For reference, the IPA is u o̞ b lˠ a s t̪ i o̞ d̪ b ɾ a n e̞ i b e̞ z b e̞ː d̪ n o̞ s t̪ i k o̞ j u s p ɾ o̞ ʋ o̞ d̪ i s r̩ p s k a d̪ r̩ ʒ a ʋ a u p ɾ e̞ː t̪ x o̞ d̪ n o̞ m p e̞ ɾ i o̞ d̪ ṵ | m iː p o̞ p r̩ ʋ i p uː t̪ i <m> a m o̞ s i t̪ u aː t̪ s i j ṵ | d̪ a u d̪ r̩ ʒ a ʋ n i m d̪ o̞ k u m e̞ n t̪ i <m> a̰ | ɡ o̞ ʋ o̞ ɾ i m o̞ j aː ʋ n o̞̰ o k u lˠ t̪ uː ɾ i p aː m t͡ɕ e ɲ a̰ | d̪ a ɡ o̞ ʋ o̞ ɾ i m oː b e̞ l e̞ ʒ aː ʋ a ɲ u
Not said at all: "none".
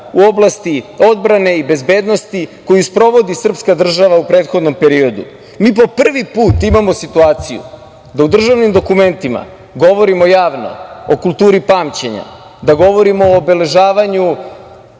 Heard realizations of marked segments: m, m

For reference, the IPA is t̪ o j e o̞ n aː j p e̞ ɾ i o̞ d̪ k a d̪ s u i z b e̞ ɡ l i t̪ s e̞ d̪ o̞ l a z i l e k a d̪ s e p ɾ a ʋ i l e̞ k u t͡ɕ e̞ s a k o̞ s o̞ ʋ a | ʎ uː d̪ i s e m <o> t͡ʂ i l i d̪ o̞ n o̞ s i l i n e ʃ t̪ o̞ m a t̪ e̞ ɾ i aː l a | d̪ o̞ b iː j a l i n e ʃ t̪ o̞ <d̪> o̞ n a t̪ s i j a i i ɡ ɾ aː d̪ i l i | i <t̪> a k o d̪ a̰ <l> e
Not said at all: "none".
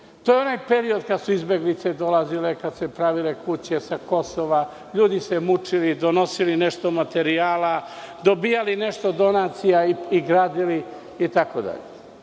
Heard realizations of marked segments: u, d̪, t̪, ʎ

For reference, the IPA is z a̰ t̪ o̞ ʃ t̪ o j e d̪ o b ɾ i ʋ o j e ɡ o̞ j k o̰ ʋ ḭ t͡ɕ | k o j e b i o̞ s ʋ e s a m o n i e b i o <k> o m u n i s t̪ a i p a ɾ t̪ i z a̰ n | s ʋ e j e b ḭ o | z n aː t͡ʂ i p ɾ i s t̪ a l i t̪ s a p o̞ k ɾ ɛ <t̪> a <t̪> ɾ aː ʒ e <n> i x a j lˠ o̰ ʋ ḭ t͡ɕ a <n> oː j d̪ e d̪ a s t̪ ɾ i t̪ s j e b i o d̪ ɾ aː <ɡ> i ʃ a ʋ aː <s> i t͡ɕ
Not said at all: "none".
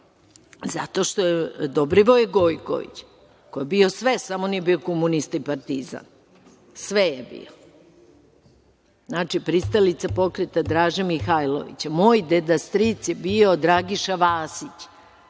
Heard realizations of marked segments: k, t̪, d̪, m, m, ɡ, s

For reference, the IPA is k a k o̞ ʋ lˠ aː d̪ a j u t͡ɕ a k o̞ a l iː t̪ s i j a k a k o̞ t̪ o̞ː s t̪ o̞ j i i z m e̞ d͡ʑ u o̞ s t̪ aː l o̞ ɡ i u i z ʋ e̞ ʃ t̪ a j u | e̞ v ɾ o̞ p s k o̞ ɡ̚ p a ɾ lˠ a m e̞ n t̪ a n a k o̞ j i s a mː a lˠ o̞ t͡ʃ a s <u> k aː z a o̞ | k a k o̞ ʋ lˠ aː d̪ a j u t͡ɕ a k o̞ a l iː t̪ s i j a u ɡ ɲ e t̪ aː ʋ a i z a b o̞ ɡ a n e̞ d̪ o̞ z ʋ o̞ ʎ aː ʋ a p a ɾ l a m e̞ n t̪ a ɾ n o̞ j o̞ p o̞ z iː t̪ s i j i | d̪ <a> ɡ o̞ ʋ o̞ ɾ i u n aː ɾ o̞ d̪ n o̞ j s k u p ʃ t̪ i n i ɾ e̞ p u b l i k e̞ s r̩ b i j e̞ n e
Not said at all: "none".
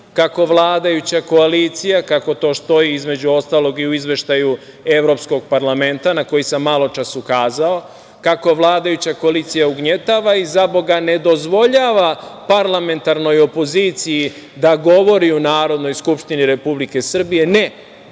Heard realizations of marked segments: u, a

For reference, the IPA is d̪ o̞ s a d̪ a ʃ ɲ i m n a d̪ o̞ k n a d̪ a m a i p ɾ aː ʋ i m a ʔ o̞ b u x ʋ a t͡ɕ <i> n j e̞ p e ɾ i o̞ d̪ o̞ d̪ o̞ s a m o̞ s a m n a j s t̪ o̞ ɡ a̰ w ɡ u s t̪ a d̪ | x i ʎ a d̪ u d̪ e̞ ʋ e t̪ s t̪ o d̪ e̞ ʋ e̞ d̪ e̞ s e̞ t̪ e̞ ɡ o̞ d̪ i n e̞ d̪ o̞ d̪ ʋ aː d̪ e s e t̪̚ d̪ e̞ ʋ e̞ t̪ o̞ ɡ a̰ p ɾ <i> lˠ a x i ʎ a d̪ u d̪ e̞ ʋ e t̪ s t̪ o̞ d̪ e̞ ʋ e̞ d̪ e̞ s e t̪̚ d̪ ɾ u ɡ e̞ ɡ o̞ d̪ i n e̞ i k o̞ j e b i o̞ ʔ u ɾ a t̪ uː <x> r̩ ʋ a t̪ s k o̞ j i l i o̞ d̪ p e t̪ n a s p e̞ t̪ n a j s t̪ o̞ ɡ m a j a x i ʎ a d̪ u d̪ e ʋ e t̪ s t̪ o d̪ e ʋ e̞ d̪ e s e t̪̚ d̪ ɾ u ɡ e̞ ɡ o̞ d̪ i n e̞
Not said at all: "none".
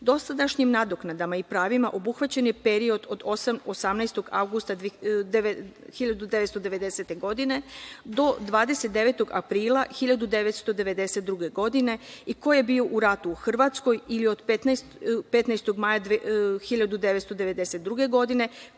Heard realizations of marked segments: e, iː, x

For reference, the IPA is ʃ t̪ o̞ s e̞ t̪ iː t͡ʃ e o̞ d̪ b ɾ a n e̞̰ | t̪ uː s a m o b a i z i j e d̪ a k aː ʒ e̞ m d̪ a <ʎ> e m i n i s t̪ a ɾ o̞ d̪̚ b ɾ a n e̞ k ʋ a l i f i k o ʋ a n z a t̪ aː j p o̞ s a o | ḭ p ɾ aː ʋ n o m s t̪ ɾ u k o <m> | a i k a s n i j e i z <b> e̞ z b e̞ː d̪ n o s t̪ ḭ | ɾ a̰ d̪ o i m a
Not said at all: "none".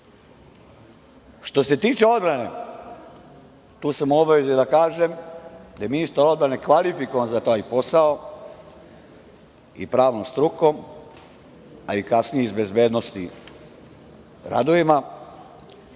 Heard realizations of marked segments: j, m, b

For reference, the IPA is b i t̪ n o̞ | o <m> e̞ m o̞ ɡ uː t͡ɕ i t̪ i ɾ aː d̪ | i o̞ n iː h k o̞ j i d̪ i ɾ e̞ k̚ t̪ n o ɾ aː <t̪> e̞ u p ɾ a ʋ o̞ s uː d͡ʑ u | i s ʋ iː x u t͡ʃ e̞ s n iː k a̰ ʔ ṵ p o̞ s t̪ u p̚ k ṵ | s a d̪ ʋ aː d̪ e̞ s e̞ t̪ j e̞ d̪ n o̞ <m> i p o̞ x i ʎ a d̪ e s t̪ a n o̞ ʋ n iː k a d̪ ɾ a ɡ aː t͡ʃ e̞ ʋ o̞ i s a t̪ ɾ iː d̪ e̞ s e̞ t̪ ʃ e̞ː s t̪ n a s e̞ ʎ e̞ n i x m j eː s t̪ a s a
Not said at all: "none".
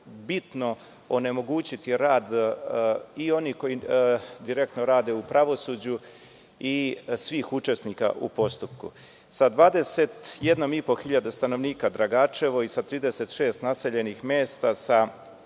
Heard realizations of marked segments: n, d̪, m

